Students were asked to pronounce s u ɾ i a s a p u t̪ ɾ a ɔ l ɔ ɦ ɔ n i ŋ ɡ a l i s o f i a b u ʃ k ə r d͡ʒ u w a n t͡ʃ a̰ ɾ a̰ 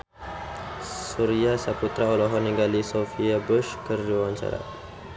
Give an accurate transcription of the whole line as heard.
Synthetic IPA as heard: s u ɾ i a s a p u t̪ ɾ a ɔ l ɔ ɦ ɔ n i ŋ ɡ a l i s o f i a b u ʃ k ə r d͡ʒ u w a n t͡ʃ a̰ ɾ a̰